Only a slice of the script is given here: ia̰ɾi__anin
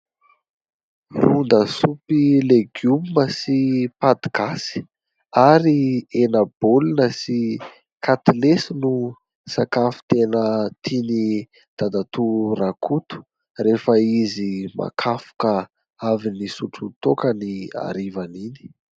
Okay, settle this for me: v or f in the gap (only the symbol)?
v